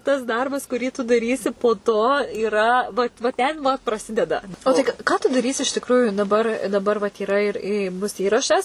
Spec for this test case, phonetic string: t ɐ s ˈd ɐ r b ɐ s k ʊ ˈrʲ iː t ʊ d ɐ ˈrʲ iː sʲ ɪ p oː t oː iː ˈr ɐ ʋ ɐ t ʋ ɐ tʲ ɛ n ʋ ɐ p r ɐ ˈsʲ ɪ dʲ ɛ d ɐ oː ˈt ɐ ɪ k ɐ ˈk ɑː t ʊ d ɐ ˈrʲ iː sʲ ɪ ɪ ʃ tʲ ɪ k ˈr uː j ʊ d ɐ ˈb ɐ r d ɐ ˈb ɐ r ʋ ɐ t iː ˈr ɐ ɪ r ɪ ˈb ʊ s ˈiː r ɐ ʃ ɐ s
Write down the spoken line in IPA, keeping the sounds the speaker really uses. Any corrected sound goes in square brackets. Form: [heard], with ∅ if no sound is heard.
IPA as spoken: t ɐ s ˈd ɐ r b ɐ s k ʊ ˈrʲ iː t ʊ d ɐ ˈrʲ iː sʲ ɪ p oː t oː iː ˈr ɐ ʋ ɐ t ʋ ɐ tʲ ɛ n ʋ ɐ p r ɐ ˈsʲ ɪ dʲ ɛ d ɐ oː ˈt ɐ ɪ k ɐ ˈk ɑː t ʊ d ɐ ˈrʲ iː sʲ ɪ ɪ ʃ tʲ ɪ k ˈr uː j ʊ d ɐ ˈb ɐ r d ɐ ˈb ɐ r ʋ ɐ t iː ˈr ɐ ɪ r ɪ ˈb ʊ s ˈiː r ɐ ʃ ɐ s